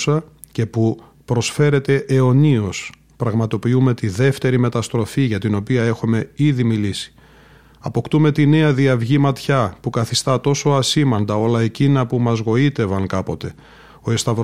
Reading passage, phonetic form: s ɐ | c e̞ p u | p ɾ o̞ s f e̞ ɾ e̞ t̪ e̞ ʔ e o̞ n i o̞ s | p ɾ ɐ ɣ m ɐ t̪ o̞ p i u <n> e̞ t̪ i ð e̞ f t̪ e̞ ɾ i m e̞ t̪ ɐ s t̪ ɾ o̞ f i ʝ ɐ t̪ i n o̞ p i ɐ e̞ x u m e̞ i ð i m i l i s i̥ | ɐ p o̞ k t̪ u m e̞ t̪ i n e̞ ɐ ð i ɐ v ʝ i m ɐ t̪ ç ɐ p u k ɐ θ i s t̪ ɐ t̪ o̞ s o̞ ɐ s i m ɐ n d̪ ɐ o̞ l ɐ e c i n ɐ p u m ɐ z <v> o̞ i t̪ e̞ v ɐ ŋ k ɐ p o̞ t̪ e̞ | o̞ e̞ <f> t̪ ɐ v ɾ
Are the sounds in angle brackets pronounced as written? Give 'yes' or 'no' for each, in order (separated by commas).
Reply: no, no, no